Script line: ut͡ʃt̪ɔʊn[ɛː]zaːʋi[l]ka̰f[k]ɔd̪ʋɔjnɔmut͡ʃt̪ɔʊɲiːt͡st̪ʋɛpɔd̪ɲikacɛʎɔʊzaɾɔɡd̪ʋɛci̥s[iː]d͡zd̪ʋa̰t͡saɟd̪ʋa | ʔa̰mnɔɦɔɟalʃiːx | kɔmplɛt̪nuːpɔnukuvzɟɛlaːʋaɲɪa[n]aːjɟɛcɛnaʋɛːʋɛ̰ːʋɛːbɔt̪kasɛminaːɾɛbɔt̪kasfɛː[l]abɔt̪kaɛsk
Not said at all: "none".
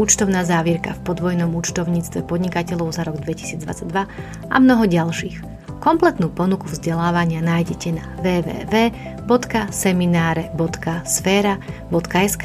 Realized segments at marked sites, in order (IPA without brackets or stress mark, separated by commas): aː, ɾ, p, iː, n, ɾ